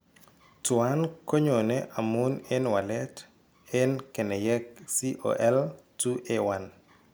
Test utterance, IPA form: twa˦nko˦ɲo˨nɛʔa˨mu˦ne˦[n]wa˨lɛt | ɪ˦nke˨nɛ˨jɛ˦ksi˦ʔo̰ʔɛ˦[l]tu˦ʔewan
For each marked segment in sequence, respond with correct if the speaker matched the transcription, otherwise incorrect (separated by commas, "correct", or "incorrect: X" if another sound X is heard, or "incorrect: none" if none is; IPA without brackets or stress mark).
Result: correct, correct